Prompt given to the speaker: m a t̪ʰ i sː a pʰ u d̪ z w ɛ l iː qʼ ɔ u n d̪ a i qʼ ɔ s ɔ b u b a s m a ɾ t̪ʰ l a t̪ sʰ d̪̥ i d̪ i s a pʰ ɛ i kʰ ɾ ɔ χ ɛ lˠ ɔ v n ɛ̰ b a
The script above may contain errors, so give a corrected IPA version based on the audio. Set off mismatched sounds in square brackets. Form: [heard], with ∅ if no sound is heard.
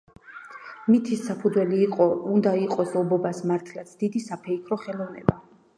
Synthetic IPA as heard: m [i] t̪ʰ i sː a pʰ u d̪ z w ɛ l iː qʼ ɔ u n d̪ a i qʼ ɔ s ɔ b [ɔ] b a s m a ɾ t̪ʰ l a t̪ sʰ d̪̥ i d̪ i s a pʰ ɛ i kʰ ɾ ɔ χ ɛ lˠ ɔ v n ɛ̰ b a

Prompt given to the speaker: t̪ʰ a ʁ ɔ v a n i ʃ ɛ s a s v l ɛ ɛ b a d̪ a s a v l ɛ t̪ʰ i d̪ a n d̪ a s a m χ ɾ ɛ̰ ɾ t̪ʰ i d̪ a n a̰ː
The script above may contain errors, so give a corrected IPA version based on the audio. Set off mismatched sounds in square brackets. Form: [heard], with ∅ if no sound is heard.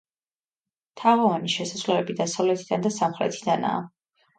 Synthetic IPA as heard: t̪ʰ a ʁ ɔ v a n i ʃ ɛ s a s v l ɛ ɛ b [i] d̪ a s a v l ɛ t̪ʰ i d̪ a n d̪ a s a m χ ɾ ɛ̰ [∅] t̪ʰ i d̪ a n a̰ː

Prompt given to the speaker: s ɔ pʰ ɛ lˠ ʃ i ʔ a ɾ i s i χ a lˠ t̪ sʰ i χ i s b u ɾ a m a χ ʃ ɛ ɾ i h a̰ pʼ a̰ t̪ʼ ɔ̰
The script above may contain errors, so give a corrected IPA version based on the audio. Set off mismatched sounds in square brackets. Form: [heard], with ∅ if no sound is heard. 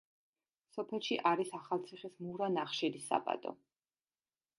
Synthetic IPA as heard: s ɔ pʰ ɛ lˠ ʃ i ʔ a ɾ i s [a] χ a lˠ t̪ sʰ i χ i s [m] u ɾ a [n] a χ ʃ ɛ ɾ i [s] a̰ pʼ a̰ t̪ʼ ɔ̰

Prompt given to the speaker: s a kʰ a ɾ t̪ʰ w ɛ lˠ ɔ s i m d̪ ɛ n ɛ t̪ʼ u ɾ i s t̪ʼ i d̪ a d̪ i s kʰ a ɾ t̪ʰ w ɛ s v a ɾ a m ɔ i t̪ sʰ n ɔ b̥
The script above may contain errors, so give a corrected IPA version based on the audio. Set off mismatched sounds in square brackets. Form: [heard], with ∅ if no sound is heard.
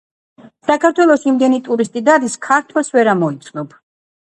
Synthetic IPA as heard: s a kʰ a ɾ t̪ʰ w ɛ lˠ ɔ s i m d̪ ɛ n [i] t̪ʼ u ɾ i s t̪ʼ i d̪ a d̪ i s kʰ a ɾ t̪ʰ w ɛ s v [ɛ] ɾ a m ɔ i t̪ sʰ n ɔ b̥

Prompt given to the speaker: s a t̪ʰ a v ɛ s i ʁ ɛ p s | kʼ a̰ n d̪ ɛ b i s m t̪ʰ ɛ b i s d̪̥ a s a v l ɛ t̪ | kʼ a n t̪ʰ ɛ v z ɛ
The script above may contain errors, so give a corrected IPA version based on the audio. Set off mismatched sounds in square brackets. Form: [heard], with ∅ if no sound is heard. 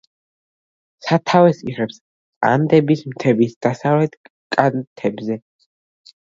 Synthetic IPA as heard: s a t̪ʰ a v ɛ s i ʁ ɛ p s | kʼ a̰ n d̪ ɛ b i s m t̪ʰ ɛ b i s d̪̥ a s a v l ɛ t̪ | kʼ a n t̪ʰ ɛ [b] z ɛ

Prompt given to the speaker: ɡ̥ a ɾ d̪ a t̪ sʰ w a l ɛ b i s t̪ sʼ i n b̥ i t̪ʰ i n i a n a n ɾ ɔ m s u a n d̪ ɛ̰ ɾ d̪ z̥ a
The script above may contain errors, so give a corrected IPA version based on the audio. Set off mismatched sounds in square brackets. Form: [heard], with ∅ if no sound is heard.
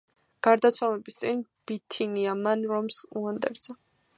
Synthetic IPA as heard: ɡ̥ a ɾ d̪ a t̪ sʰ w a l ɛ b i s t̪ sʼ i n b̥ i t̪ʰ i n i a [m] a n ɾ ɔ m s u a n d̪ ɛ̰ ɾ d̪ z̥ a

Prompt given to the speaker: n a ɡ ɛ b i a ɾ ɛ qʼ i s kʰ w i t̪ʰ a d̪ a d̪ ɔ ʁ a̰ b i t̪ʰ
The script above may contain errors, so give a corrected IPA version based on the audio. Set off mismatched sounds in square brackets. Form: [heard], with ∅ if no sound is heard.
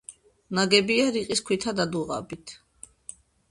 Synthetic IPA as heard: n a ɡ ɛ b i a ɾ [i] qʼ i s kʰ w i t̪ʰ a d̪ a d̪ [u] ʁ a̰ b i t̪ʰ

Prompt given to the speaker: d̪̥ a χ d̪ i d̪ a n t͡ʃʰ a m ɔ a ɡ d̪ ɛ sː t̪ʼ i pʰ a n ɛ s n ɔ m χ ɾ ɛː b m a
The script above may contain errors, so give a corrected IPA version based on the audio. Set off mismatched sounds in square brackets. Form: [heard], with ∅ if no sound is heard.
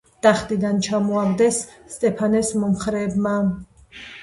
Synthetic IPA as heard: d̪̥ a χ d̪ i d̪ a n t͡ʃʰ a m ɔ a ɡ d̪ ɛ sː t̪ʼ [ɛ] pʰ a n ɛ s [m] ɔ m χ ɾ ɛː b m a

